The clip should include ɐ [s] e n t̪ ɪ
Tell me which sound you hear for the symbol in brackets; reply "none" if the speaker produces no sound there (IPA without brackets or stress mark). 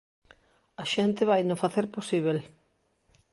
ʃ